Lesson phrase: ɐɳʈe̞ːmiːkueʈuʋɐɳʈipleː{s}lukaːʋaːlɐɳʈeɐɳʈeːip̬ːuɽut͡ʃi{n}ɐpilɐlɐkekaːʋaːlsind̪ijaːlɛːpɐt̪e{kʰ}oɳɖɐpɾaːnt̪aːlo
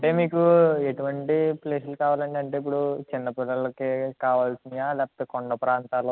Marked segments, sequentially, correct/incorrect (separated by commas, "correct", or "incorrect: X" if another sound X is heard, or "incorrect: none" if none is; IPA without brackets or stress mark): correct, incorrect: nː, incorrect: k